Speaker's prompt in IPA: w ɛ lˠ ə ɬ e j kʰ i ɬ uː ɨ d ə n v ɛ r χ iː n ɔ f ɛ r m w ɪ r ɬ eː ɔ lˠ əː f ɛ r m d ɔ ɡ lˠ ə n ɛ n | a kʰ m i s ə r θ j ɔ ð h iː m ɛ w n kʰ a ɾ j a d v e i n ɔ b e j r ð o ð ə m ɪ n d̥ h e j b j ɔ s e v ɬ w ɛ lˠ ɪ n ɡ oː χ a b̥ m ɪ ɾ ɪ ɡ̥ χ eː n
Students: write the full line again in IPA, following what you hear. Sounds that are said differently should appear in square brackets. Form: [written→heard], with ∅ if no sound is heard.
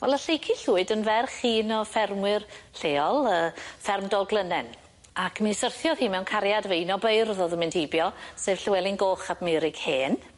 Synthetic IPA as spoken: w ɛ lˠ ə ɬ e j kʰ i ɬ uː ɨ d ə n v ɛ r χ iː n ɔ f ɛ r m w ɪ r ɬ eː ɔ lˠ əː f ɛ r m d ɔ ɡ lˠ ə n ɛ n | a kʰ m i s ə r θ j ɔ ð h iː m ɛ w n kʰ a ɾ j a d v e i n ɔ b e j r ð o ð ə m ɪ n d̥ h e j b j ɔ s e v ɬ w ɛ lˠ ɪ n ɡ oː χ a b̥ m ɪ ɾ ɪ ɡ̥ [χ→h] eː n